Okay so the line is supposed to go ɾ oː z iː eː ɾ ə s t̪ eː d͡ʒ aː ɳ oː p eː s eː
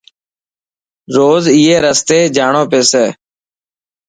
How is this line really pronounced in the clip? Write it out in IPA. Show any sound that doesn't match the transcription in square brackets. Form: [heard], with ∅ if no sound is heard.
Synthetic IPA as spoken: ɾ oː z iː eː ɾ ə s t̪ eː d͡ʒ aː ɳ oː p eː s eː

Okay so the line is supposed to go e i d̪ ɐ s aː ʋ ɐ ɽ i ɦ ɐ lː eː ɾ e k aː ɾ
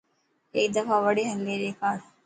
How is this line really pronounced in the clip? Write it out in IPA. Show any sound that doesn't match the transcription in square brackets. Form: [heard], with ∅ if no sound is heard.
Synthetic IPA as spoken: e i d̪ ɐ [f] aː ʋ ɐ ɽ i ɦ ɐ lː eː ɾ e k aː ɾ

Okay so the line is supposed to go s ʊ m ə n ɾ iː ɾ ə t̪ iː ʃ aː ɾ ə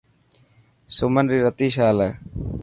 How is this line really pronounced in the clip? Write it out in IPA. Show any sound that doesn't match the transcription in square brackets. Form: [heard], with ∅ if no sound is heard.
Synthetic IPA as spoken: s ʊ m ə n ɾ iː ɾ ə t̪ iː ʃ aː [l] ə

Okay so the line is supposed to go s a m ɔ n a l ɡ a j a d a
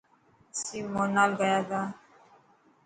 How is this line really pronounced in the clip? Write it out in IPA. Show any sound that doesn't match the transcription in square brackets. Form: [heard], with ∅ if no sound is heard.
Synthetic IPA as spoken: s [i] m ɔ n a l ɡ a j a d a

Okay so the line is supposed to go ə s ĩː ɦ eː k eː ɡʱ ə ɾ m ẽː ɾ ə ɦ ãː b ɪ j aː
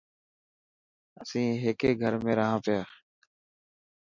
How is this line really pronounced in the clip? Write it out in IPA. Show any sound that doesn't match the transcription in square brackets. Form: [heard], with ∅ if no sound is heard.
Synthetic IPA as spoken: ə s ĩː ɦ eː k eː ɡʱ ə ɾ m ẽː ɾ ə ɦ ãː [p] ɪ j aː

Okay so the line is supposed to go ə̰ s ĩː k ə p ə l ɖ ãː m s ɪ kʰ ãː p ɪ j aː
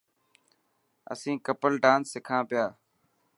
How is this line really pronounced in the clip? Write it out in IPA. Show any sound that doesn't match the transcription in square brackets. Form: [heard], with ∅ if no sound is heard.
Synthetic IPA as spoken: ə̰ s ĩː k ə p ə l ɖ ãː [n] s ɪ kʰ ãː p ɪ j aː

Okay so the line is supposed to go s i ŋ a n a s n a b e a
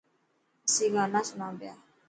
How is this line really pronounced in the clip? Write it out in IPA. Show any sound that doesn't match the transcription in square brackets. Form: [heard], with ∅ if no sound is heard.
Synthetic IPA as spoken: s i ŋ a n a s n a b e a

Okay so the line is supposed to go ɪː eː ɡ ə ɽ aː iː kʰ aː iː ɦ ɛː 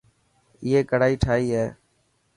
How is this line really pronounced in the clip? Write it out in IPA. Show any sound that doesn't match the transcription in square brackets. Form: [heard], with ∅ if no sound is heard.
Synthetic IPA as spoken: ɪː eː [k] ə ɽ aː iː [ʈʰ] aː iː ɦ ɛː

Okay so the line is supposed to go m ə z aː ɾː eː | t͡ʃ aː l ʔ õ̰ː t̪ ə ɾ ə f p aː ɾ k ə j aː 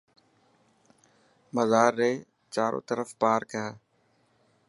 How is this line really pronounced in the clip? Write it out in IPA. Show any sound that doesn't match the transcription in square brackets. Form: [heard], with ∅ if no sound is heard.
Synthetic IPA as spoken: m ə z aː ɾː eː | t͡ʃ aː [ɾ] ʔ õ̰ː t̪ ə ɾ ə f p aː ɾ k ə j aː

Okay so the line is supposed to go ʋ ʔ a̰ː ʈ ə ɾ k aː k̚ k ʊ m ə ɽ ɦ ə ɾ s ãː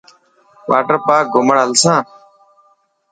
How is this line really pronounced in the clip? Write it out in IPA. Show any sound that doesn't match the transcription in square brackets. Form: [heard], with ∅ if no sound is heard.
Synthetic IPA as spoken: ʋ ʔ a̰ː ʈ ə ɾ [p] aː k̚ [ɡ] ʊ m ə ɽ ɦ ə [l] s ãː

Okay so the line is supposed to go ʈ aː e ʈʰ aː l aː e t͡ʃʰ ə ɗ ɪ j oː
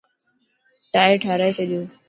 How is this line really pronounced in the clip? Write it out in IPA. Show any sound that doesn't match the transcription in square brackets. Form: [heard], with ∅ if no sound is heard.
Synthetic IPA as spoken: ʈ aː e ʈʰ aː [ɾ] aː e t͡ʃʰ ə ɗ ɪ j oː

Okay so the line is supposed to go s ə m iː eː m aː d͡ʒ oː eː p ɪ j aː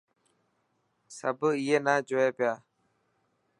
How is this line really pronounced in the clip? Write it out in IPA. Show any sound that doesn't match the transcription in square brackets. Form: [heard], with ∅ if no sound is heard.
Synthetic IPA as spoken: s ə [b] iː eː [n] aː d͡ʒ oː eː p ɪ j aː

